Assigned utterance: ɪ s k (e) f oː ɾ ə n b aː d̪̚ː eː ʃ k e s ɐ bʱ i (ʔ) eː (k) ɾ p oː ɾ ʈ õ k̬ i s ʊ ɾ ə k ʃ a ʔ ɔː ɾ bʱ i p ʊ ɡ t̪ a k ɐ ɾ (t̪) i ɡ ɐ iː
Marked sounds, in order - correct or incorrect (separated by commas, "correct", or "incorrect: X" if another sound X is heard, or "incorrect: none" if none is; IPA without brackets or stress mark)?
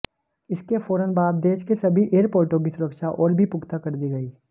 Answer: correct, correct, incorrect: none, incorrect: d̪